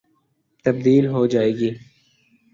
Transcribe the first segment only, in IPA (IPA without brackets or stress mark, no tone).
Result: t̪